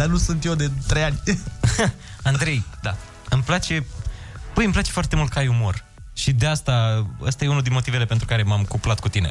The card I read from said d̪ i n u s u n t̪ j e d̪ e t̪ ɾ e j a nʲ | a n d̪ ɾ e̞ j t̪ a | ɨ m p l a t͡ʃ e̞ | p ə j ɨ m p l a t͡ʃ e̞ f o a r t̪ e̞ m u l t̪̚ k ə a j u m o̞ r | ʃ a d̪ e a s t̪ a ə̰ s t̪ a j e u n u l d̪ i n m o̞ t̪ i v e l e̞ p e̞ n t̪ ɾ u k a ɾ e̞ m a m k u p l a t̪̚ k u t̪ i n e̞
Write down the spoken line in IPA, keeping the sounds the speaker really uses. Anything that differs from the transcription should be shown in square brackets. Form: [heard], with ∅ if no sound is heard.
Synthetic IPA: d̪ [a] n u s u n t̪ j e d̪ e t̪ ɾ e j a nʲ | a n d̪ ɾ e̞ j [d̪] a | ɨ m p l a t͡ʃ e̞ | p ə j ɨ m p l a t͡ʃ e̞ f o a r t̪ e̞ m u l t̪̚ k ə a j u m o̞ r | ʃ [i] d̪ e a s t̪ a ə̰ s t̪ a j e u n u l d̪ i n m o̞ t̪ i v e l e̞ p e̞ n t̪ ɾ u k a ɾ e̞ m a m k u p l a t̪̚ k u t̪ i n e̞